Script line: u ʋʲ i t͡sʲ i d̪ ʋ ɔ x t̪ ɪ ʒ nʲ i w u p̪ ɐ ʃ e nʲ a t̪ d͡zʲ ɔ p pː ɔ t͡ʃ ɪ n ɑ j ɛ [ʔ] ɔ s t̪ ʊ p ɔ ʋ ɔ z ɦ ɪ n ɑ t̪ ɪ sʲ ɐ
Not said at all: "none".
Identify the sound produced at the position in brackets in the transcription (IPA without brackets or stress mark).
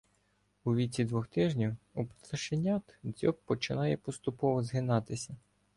p